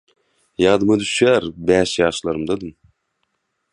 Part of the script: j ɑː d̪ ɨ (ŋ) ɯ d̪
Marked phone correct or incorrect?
incorrect